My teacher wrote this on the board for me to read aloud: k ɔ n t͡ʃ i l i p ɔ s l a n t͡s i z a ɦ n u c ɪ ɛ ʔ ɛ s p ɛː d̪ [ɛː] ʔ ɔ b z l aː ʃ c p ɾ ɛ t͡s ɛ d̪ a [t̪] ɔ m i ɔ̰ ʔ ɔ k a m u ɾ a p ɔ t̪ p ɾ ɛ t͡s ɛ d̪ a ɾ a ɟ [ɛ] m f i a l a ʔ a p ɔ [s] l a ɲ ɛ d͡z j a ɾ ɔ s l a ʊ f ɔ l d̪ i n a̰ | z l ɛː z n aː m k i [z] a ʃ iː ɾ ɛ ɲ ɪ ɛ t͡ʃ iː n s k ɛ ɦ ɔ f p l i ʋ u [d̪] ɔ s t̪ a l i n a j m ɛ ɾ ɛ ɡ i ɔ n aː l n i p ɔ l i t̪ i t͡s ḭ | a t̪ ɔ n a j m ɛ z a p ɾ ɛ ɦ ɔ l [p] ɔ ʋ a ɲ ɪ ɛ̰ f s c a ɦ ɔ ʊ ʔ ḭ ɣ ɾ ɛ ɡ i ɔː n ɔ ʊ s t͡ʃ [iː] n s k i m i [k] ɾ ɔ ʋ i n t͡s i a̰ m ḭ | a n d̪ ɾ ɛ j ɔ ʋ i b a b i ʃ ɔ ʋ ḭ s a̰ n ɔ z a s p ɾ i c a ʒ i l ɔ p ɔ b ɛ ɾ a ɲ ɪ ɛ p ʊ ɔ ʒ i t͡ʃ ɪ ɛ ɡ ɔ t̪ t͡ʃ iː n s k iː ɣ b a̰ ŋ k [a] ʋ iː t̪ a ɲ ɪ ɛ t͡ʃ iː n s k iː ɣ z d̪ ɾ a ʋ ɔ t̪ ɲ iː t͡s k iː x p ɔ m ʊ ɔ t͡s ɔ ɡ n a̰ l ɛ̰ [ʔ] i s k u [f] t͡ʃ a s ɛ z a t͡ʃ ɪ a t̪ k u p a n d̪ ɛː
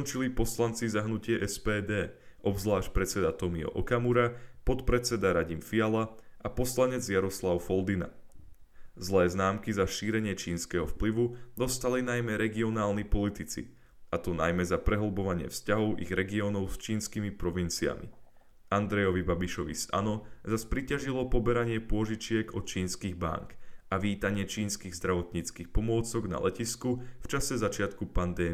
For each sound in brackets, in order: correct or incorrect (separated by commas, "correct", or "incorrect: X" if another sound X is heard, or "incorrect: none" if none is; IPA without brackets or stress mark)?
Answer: correct, correct, incorrect: i, correct, correct, correct, incorrect: b, correct, incorrect: p, correct, incorrect: c, correct